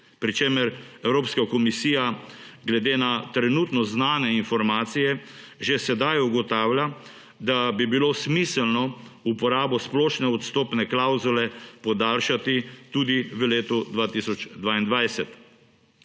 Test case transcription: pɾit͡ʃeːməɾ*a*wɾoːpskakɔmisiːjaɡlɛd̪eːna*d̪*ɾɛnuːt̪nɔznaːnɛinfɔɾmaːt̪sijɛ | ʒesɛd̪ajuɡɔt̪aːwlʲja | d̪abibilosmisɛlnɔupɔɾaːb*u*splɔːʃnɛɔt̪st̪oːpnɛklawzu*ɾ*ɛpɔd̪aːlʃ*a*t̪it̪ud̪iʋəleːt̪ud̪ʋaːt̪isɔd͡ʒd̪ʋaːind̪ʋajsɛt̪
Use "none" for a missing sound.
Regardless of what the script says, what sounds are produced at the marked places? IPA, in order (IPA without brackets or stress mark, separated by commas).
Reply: ɛ, t̪, ɔ, l, a